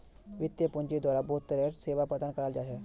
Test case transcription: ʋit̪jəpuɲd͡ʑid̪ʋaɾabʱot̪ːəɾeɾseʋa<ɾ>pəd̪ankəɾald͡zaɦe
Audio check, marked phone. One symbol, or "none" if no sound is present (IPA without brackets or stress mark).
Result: none